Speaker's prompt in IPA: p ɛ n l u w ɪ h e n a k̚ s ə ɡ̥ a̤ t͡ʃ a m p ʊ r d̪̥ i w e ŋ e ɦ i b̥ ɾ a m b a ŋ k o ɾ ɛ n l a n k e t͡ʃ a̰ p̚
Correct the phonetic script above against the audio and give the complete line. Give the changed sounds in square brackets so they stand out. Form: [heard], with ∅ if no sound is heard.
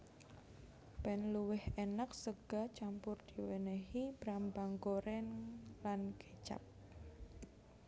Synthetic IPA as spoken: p ɛ n l u w ɪ h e n a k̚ s ə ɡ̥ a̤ t͡ʃ a m p ʊ r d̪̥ i w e [n] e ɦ i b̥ ɾ a m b a ŋ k o ɾ ɛ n l a n k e t͡ʃ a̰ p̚